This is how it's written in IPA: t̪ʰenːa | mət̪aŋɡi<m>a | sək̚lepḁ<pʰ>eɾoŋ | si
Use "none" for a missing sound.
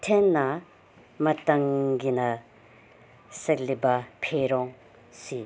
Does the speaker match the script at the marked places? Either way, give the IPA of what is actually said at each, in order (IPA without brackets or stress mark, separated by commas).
n, pʰ